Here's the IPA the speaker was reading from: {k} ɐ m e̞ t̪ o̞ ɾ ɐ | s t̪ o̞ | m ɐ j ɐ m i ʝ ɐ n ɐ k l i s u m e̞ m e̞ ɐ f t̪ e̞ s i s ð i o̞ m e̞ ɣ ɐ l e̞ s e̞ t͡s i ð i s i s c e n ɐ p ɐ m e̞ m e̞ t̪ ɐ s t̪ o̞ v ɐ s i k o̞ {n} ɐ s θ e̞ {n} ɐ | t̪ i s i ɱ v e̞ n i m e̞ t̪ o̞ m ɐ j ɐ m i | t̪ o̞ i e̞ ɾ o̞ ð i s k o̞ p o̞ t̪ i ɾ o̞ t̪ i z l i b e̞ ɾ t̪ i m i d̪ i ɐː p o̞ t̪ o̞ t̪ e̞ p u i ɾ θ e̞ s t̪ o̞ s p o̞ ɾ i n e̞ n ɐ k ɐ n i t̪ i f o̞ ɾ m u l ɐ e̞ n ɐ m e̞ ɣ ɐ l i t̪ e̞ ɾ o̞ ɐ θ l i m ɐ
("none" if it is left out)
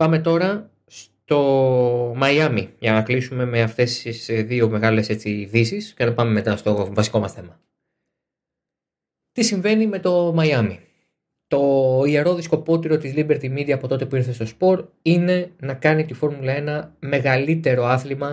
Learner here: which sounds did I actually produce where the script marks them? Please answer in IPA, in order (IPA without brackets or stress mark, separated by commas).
p, m, m